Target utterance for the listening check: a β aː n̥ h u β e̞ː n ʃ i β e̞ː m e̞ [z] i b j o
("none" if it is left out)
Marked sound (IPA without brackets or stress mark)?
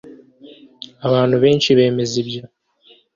z